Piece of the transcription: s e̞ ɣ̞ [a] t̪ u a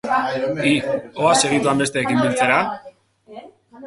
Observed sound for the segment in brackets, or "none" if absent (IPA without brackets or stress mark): i